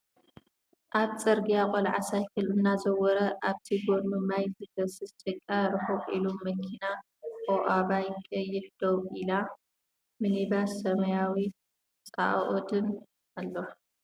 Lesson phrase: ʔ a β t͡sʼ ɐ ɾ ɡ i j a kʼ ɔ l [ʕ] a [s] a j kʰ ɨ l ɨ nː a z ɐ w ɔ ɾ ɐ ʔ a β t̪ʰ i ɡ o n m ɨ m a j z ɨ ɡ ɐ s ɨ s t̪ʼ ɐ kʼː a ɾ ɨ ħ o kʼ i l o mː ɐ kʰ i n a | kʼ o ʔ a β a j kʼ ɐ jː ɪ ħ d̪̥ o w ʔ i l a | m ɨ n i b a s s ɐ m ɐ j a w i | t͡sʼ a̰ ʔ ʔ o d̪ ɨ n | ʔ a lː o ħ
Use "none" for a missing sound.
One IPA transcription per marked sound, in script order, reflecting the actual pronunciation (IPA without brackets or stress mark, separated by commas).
ʕ, s